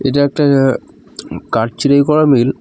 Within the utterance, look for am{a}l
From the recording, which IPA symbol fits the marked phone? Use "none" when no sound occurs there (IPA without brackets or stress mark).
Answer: i